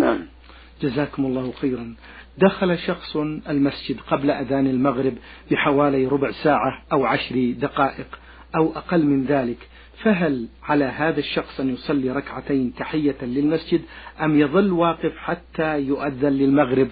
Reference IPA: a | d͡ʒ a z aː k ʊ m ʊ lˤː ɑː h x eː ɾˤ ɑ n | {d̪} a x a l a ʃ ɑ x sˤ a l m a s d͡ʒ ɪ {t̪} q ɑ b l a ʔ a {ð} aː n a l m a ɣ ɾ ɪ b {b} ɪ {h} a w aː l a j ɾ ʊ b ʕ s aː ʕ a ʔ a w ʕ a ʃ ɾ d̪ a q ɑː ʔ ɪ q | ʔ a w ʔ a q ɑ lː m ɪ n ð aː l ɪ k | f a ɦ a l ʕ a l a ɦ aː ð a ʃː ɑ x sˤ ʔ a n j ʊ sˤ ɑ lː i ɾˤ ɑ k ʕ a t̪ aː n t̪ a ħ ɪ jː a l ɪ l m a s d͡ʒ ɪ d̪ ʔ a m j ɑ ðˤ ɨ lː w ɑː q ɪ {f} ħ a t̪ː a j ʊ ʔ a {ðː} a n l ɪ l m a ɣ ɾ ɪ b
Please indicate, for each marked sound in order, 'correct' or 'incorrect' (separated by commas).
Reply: correct, incorrect, correct, correct, incorrect, correct, correct